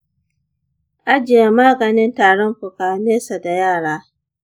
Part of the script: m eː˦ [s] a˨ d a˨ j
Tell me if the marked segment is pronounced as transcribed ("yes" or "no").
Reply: yes